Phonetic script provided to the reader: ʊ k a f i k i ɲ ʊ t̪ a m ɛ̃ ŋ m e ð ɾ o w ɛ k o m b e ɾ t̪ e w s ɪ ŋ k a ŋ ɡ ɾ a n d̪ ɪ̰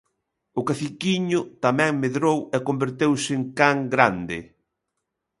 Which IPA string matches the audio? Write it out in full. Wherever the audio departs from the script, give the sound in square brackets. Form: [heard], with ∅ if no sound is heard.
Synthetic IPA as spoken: ʊ k a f i k i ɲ ʊ t̪ a m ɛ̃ ŋ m e ð ɾ o w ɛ k o m b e ɾ t̪ e w s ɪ ŋ k a ŋ ɡ ɾ a n d̪ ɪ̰